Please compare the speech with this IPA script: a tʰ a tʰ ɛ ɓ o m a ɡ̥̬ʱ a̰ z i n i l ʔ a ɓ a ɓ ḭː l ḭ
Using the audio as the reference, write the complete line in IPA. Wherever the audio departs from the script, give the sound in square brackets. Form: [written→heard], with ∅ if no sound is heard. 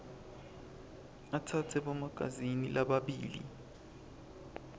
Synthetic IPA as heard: a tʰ a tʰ ɛ ɓ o m a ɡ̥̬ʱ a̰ z i n i l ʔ a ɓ a ɓ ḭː l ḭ